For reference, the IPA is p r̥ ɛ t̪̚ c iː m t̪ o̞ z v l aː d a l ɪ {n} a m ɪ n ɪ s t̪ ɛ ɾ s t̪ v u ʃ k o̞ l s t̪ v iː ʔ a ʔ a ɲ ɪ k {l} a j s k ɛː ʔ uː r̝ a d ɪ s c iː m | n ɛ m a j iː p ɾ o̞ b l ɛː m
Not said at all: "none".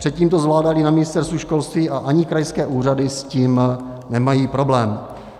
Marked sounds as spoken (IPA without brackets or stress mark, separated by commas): n, ɾ